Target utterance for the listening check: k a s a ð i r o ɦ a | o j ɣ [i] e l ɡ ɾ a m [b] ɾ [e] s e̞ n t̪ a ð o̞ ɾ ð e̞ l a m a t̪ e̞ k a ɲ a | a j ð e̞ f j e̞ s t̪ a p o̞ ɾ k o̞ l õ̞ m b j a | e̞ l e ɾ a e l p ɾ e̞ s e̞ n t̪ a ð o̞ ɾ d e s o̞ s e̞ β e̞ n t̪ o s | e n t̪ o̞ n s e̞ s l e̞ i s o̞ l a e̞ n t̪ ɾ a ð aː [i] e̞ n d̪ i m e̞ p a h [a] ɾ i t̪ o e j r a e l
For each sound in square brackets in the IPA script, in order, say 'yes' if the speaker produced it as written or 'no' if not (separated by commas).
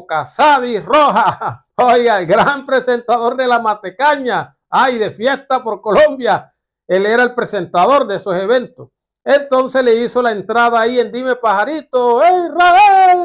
no, no, yes, yes, yes